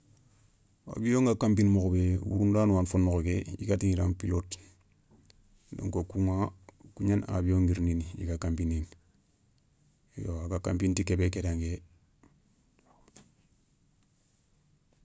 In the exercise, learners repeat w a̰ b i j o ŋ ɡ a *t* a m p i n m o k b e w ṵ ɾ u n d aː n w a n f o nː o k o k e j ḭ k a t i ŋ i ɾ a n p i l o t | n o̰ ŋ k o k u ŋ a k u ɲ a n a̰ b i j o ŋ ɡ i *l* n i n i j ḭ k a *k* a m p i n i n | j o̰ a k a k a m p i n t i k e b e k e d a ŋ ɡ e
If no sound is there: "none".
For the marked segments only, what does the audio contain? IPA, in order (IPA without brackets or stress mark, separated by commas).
k, ɾ, k